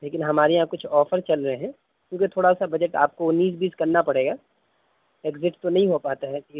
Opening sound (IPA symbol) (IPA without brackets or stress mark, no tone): l